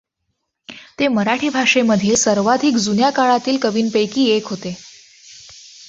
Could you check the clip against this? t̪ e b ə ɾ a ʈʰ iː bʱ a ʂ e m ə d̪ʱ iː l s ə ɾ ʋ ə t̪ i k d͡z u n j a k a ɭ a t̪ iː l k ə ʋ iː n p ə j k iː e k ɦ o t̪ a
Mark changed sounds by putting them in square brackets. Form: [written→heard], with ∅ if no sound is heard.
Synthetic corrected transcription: t̪ e [b→m] ə ɾ a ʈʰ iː bʱ a ʂ e m ə d̪ʱ iː l s ə ɾ ʋ [ə→a] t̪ i k d͡z u n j a k a ɭ a t̪ iː l k ə ʋ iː n p ə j k iː e k ɦ o t̪ [a→e]